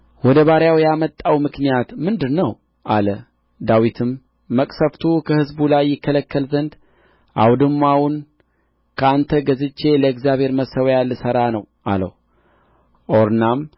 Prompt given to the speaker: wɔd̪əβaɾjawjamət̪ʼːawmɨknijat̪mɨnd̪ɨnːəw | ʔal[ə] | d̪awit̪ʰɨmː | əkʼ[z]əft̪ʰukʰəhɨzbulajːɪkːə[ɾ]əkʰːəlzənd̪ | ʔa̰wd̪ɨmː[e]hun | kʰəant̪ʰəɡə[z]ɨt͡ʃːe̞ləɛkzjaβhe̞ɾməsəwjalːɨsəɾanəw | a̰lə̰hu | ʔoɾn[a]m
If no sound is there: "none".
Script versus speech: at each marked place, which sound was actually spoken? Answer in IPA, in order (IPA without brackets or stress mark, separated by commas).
ə, s, l, a, z, a